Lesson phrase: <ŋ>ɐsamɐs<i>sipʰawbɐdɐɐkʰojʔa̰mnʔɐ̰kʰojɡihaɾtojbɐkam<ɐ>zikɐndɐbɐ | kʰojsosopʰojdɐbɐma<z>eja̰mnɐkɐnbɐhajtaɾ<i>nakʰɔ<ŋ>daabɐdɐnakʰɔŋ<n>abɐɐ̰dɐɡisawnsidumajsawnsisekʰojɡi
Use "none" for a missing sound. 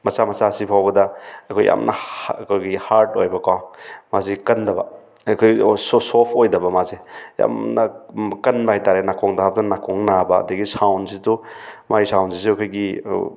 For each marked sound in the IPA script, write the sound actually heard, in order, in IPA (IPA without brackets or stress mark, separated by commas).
m, a, a, z, e, ŋ, n